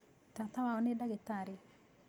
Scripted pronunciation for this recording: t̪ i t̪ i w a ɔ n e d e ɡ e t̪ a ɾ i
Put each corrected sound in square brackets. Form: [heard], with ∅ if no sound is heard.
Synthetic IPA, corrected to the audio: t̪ [a] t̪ [a] w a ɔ n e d [a] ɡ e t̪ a ɾ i